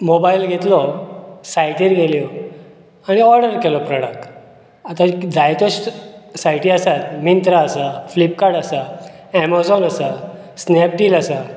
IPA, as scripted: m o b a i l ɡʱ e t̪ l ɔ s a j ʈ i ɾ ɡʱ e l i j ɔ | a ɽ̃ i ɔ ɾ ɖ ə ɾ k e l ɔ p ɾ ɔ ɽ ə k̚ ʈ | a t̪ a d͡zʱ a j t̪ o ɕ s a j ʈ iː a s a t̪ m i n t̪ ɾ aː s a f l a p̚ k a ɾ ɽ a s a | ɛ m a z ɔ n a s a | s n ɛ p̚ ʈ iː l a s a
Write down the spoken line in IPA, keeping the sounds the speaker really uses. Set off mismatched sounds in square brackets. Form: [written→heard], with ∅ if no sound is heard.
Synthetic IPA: m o b a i l ɡʱ e t̪ l ɔ s a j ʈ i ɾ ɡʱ e l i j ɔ | a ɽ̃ i ɔ ɾ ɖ ə ɾ k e l ɔ p ɾ ɔ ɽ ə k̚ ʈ | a t̪ a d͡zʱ a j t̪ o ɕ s a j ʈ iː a s a t̪ m i n t̪ ɾ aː s a f l [a→i] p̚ k a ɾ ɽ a s a | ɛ m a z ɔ n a s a | s n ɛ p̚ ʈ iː l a s a